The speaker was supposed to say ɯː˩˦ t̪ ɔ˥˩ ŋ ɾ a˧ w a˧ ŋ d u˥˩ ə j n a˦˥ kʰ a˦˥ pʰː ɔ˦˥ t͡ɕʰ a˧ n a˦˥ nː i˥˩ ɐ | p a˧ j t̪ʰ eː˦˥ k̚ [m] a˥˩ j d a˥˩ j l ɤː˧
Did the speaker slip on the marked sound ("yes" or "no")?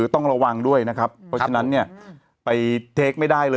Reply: no